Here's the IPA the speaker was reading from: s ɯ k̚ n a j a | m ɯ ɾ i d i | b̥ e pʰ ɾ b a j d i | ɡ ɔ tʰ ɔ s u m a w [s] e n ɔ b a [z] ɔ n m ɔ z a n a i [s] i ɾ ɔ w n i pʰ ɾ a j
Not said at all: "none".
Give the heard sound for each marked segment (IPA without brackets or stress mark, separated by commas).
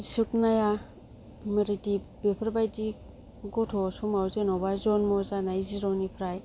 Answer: z, z, z